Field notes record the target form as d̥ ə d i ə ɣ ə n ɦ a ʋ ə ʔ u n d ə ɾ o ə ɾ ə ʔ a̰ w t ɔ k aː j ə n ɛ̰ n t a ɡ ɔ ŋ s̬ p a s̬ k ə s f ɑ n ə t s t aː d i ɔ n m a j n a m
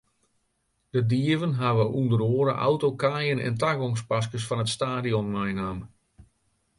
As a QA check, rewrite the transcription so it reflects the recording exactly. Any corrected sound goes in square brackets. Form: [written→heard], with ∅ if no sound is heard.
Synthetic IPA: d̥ ə d i ə [ɣ→v] ə n ɦ a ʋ ə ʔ u n d ə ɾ o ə ɾ ə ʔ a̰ w t [ɔ→o] k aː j ə n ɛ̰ n t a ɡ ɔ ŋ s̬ p a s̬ k ə s f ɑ n ə t s t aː d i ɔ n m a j n a m